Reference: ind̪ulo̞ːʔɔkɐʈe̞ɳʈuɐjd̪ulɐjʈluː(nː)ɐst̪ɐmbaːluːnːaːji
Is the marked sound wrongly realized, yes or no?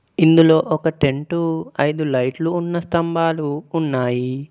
no